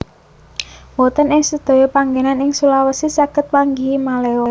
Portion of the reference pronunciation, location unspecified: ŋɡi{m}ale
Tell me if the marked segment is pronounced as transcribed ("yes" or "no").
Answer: yes